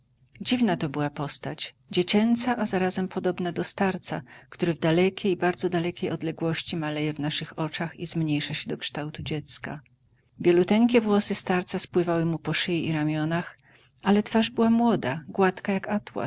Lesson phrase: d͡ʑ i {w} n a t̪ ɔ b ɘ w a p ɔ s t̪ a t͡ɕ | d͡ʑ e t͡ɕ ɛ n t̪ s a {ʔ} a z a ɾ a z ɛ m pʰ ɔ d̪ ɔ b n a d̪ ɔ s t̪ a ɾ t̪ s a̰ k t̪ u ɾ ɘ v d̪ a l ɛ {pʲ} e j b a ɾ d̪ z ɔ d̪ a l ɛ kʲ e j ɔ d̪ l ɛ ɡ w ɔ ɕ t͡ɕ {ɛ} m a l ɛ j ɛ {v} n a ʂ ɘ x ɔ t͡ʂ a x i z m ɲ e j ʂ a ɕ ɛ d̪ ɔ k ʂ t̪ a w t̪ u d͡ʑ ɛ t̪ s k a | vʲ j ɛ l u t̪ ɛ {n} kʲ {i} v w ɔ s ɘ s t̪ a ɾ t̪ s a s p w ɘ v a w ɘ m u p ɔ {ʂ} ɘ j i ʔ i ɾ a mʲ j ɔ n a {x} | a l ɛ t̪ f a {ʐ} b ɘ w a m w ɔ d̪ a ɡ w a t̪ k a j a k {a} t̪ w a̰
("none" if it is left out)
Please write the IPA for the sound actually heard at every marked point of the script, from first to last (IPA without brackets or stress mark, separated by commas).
v, ʔ, kʲ, i, v, ŋ, ɛ, ʂ, x, ʐ, a